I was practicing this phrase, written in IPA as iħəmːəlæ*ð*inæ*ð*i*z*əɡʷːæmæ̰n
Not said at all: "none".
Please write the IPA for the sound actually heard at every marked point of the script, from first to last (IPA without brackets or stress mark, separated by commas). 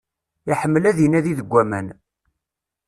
ð, ð, ð